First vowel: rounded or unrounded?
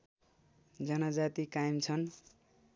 unrounded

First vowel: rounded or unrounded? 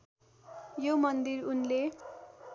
rounded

